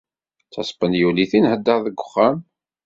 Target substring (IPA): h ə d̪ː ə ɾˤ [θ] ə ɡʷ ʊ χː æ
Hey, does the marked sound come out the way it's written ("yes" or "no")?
no